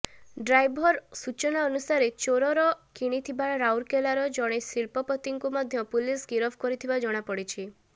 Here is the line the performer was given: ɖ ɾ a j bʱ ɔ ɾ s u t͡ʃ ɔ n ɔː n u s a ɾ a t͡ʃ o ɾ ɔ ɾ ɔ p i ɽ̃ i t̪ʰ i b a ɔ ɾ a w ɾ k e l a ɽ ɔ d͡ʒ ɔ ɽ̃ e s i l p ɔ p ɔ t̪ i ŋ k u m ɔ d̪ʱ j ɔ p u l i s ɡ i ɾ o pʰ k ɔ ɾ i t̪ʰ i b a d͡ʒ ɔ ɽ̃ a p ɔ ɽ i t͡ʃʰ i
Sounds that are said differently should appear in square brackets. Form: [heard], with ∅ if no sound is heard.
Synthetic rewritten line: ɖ ɾ a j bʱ ɔ ɾ s u t͡ʃ ɔ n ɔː n u s a ɾ [e] t͡ʃ o ɾ ɔ ɾ ɔ [k] i ɽ̃ i t̪ʰ i b a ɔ ɾ a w ɾ k e l a [ɾ] ɔ d͡ʒ ɔ ɽ̃ e s i l p ɔ p ɔ t̪ i ŋ k u m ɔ d̪ʱ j ɔ p u l i s ɡ i ɾ [ɔ] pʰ k ɔ ɾ i t̪ʰ i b a d͡ʒ ɔ ɽ̃ a p ɔ ɽ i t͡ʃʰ i